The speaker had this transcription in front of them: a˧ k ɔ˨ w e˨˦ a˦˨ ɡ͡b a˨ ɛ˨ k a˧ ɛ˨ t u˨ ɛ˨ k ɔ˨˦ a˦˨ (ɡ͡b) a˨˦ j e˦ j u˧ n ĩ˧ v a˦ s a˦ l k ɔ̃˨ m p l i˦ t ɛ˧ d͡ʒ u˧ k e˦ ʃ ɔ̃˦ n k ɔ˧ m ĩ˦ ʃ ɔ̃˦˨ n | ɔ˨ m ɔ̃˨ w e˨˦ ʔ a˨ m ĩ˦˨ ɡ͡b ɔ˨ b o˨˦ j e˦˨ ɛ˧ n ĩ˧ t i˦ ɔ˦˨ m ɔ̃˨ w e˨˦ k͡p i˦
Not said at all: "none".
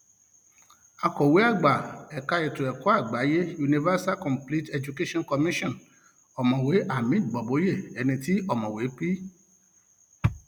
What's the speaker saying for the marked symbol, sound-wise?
ɡ͡b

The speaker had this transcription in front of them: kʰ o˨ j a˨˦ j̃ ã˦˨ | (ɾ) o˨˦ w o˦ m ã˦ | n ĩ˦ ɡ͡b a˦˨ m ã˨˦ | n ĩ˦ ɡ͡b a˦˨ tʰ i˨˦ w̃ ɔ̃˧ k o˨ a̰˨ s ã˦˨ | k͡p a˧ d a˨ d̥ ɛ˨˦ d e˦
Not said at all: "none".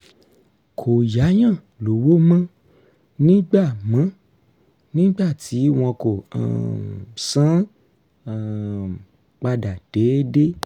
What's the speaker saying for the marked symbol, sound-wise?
l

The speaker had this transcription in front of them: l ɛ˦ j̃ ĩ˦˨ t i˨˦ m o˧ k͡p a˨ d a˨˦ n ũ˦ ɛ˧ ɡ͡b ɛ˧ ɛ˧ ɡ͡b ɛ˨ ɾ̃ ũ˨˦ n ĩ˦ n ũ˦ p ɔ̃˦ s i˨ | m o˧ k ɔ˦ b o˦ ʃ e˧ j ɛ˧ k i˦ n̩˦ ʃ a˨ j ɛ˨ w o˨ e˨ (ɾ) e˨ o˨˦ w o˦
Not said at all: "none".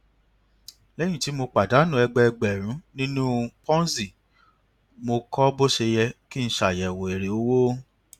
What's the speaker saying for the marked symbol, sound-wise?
ɾ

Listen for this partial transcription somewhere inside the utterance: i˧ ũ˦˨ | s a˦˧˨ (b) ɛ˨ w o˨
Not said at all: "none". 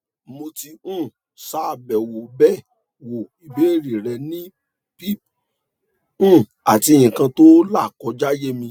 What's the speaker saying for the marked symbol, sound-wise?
b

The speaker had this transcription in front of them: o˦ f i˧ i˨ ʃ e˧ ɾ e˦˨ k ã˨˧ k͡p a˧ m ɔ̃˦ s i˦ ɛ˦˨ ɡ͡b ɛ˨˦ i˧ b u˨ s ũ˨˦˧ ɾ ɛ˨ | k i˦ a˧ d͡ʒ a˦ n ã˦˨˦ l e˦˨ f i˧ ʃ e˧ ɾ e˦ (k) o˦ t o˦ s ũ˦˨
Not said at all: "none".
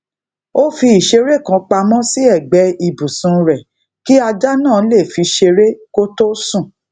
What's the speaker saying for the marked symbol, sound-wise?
k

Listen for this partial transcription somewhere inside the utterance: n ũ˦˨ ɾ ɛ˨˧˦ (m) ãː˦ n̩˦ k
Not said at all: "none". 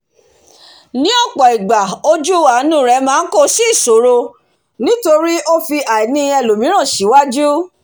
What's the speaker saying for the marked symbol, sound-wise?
m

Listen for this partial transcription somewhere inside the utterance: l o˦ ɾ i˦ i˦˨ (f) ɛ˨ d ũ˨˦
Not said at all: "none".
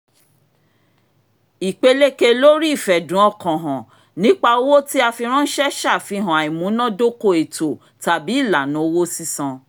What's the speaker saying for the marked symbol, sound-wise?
f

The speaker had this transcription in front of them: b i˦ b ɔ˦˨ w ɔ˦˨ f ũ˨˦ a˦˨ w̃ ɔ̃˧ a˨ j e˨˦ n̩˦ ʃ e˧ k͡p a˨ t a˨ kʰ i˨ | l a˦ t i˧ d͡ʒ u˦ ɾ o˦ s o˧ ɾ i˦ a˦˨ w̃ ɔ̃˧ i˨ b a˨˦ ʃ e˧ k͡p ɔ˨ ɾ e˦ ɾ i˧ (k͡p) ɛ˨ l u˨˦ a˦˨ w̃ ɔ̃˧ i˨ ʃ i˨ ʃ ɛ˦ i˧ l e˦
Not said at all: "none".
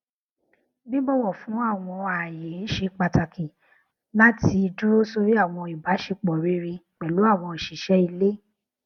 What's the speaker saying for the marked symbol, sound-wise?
k͡p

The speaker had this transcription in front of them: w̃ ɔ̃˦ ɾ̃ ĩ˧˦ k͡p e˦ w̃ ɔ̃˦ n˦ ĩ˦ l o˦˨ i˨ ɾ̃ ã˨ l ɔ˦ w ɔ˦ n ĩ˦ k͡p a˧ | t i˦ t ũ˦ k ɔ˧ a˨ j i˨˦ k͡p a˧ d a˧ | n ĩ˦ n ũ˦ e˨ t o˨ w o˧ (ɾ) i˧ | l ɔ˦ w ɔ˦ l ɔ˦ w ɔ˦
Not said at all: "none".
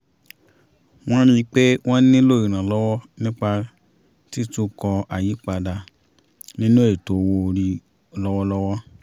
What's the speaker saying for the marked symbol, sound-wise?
ɾ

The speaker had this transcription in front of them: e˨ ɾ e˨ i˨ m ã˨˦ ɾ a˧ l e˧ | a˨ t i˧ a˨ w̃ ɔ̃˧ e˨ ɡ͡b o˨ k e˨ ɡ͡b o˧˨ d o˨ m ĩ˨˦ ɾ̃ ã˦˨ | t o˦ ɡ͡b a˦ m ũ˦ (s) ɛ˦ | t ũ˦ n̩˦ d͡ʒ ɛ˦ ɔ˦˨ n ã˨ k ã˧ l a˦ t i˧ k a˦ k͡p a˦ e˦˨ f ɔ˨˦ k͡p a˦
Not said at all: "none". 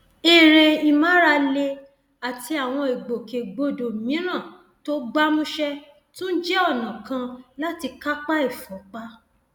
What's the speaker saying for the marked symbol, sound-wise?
ʃ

